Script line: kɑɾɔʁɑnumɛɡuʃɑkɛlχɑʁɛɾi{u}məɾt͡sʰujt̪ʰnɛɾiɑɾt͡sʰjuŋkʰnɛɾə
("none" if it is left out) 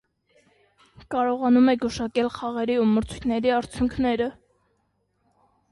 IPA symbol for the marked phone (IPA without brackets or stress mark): u